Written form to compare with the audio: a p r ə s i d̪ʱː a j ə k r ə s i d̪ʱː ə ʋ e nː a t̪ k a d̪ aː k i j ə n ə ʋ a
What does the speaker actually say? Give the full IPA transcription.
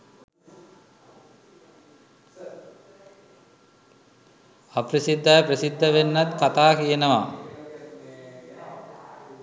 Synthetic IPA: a p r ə s i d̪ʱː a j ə p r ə s i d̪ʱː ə ʋ e nː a t̪ k a t̪ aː k i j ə n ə ʋ a